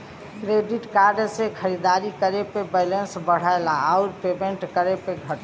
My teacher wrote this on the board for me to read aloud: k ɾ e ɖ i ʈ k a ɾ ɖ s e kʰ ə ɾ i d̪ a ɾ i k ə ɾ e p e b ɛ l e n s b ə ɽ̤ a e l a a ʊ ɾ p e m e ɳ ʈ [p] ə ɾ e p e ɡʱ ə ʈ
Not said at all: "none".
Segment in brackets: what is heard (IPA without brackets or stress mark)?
k